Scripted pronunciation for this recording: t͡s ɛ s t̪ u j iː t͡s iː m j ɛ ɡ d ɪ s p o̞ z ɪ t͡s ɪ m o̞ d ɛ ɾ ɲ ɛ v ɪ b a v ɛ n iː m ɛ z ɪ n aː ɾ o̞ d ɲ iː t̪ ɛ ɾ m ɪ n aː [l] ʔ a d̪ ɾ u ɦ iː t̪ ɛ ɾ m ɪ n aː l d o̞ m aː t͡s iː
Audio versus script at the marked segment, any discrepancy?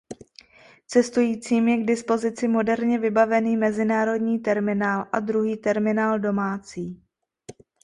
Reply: no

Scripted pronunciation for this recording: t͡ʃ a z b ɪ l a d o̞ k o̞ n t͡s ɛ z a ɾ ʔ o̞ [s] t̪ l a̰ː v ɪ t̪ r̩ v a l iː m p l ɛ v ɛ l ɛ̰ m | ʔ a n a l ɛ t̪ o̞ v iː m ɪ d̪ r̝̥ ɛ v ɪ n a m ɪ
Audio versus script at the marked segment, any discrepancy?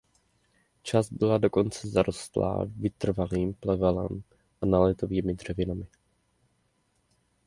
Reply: no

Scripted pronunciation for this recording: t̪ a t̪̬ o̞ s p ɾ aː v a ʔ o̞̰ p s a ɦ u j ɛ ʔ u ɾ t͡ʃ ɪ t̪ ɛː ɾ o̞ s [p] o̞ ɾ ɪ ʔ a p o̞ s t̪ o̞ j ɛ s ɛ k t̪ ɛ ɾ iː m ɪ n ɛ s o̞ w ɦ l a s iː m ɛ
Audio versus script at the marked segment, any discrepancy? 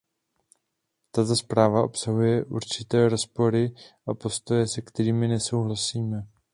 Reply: no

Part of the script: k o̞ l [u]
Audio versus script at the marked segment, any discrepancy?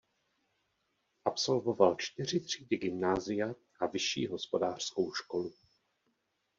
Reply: no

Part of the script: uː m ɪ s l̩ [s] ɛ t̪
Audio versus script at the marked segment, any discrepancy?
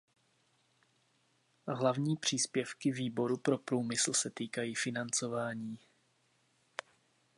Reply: no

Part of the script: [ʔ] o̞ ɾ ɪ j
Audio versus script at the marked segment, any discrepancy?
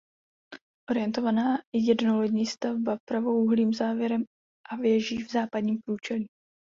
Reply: no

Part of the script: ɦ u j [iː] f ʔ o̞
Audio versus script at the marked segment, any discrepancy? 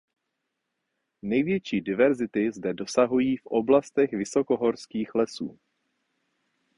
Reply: no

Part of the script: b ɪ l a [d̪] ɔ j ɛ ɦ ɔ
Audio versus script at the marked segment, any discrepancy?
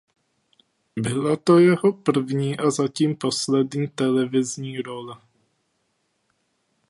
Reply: yes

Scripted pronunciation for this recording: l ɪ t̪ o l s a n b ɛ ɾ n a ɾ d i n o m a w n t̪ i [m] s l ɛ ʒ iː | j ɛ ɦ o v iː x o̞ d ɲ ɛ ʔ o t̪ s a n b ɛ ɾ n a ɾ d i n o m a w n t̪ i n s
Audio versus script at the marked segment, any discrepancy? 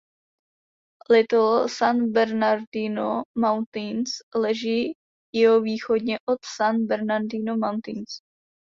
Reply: yes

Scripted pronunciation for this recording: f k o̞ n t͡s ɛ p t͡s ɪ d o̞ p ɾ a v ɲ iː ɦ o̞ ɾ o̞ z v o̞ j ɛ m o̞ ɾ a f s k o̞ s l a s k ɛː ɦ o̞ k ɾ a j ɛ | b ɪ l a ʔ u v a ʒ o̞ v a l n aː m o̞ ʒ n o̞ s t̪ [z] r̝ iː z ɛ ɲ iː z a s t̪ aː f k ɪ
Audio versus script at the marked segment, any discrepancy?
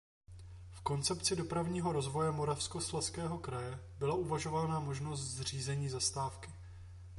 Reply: no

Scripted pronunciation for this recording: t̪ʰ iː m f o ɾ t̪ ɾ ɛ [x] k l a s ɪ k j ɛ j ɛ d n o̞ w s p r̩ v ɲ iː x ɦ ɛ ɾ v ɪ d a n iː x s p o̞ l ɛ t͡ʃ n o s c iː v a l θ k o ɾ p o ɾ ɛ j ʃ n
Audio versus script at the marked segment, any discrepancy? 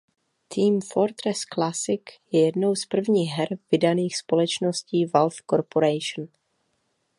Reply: yes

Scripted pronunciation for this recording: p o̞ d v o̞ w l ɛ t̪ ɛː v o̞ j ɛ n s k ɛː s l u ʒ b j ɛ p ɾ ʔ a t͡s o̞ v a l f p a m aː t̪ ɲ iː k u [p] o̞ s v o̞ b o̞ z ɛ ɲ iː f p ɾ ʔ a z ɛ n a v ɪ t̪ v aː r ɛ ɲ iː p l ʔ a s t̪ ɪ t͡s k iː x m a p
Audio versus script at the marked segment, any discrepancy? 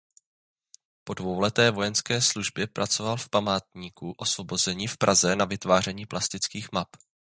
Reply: yes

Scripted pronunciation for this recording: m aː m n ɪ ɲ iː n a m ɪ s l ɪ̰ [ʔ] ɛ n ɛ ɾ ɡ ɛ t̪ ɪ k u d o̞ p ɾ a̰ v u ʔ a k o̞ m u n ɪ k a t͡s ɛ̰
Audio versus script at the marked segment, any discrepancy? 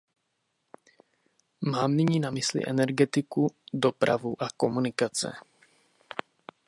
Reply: no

